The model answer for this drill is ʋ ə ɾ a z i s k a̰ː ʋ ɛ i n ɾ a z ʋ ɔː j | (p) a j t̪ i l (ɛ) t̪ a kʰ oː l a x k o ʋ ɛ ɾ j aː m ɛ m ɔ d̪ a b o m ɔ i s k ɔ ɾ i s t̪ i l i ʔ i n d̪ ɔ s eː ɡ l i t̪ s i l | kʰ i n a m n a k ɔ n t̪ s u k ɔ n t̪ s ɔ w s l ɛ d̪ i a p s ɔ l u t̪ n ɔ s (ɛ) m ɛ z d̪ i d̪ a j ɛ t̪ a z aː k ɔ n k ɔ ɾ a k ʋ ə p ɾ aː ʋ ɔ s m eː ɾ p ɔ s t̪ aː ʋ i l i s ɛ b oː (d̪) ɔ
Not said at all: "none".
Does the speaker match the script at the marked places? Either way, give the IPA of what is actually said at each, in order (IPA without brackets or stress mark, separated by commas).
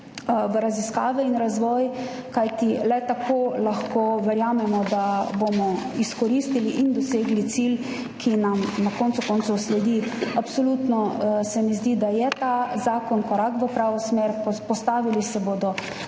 k, ɛ, ɛ, d̪